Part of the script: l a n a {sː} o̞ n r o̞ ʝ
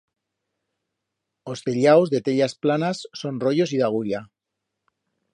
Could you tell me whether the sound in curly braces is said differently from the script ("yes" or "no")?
no